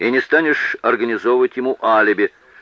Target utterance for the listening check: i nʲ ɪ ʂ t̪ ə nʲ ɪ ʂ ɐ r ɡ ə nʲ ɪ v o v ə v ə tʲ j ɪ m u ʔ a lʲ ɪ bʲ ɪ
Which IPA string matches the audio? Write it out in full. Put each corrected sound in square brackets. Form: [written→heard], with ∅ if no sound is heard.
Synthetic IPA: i nʲ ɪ [ʂ→s] t̪ [ə→a] nʲ ɪ ʂ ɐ r ɡ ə nʲ ɪ [v→z] o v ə v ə tʲ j ɪ m u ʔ a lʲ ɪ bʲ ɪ

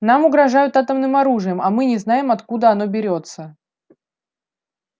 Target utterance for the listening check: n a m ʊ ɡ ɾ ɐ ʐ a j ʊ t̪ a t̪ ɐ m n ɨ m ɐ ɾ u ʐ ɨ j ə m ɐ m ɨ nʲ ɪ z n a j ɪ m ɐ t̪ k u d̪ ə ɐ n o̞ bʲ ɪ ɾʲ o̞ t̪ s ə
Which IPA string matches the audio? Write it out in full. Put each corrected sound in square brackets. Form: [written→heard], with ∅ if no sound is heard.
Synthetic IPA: n a m ʊ ɡ ɾ ɐ ʐ a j ʊ t̪ a t̪ [ɐ→ə] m n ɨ m ɐ ɾ u ʐ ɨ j ə m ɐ m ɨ nʲ ɪ z n a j ɪ m ɐ t̪ k u d̪ ə ɐ n o̞ bʲ ɪ ɾʲ o̞ t̪ s ə

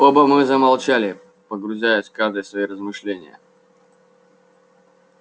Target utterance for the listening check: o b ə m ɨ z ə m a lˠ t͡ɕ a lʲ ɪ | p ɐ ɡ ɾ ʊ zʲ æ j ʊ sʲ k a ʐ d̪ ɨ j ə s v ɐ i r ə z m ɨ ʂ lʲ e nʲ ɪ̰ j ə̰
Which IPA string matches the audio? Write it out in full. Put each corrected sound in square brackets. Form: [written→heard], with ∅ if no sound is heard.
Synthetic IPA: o b ə m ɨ z ə m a lˠ t͡ɕ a lʲ ɪ | p [ɐ→ə] ɡ ɾ ʊ zʲ æ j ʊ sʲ k a ʐ d̪ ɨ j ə s v ɐ i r ə z m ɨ ʂ lʲ e nʲ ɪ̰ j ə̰

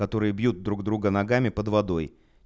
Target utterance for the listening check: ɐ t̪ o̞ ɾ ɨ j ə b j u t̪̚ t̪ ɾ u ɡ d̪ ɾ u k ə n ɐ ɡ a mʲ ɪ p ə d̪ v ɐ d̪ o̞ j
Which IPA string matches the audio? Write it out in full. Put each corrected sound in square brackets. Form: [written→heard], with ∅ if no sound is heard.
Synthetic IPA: ɐ t̪ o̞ ɾ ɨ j ə b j u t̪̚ [t̪→d̪] ɾ u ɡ d̪ ɾ u [k→ɡ] ə n ɐ ɡ a mʲ ɪ p ə d̪ v ɐ d̪ o̞ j

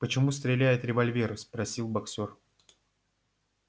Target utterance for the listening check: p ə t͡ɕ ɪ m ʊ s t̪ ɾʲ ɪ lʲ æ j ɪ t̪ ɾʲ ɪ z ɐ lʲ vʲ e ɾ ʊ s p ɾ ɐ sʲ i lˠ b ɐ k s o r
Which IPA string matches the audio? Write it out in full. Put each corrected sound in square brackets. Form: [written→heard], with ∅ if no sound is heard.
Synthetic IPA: p ə t͡ɕ ɪ m [ʊ→u] s t̪ ɾʲ ɪ lʲ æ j ɪ t̪ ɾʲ ɪ [z→v] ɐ lʲ vʲ e ɾ ʊ s p ɾ ɐ sʲ i lˠ b ɐ k s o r

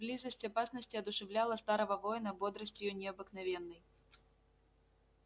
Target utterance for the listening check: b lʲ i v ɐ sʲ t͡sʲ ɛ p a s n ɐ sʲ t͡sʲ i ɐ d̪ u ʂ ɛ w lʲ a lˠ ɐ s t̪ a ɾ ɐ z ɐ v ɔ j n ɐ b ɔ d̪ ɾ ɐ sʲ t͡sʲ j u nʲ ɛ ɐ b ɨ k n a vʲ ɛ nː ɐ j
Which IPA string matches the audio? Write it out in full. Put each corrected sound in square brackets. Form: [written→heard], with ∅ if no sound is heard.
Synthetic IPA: b lʲ i [v→z] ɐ sʲ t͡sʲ [ɛ→a] p a s n ɐ sʲ t͡sʲ i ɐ d̪ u ʂ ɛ w lʲ a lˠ ɐ s t̪ a ɾ ɐ [z→v] ɐ v ɔ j n ɐ b ɔ d̪ ɾ ɐ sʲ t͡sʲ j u nʲ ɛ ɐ b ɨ k n a vʲ ɛ nː ɐ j

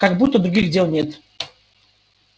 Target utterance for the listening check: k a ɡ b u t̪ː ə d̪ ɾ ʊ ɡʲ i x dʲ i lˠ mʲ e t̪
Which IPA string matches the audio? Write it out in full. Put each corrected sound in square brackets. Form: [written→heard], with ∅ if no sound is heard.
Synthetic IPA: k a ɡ b u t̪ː ə d̪ ɾ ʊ ɡʲ i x dʲ [i→e] lˠ [mʲ→nʲ] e t̪

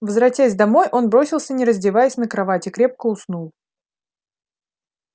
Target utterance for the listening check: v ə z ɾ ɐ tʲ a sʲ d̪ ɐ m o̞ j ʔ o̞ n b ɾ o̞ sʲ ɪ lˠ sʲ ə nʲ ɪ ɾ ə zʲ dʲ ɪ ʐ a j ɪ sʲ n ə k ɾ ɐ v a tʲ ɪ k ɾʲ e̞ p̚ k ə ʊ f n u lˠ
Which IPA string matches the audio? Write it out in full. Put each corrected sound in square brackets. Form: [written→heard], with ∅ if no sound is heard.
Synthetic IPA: v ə z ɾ ɐ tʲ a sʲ d̪ ɐ m o̞ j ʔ o̞ n b ɾ o̞ sʲ ɪ lˠ sʲ ə nʲ ɪ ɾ ə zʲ dʲ ɪ [ʐ→v] a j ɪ sʲ n ə k ɾ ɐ v a tʲ ɪ k ɾʲ e̞ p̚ k ə ʊ [f→s] n u lˠ

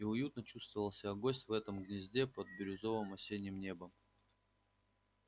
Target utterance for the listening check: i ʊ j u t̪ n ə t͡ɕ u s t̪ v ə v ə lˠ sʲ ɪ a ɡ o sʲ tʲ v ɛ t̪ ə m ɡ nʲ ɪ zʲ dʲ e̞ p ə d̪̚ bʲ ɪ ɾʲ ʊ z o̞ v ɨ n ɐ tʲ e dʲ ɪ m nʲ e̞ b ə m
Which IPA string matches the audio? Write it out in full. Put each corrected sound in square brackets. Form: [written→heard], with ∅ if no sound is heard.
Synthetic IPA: i ʊ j u t̪ n ə t͡ɕ u s t̪ v ə v ə lˠ sʲ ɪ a ɡ o sʲ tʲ v ɛ t̪ ə m ɡ nʲ ɪ zʲ dʲ e̞ p ə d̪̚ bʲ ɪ ɾʲ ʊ z o̞ v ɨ [n→m] ɐ [tʲ→sʲ] e [dʲ→nʲ] ɪ m nʲ e̞ b ə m

